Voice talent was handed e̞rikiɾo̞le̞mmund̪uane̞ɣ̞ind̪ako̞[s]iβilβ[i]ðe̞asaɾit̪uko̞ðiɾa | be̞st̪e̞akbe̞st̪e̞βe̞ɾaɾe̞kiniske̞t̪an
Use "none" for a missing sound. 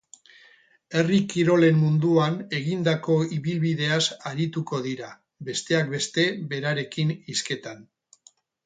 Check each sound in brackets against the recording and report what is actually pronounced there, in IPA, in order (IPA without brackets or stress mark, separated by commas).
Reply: none, i